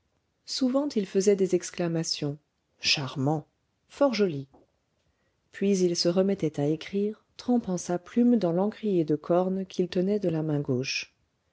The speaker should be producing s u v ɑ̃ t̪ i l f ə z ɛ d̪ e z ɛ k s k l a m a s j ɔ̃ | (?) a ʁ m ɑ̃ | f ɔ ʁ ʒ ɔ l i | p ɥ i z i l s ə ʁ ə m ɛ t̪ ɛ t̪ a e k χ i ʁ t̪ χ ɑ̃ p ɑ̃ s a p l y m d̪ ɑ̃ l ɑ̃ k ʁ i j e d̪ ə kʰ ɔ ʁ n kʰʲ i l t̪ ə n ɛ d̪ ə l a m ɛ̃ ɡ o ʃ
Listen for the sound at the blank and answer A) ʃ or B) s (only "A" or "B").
A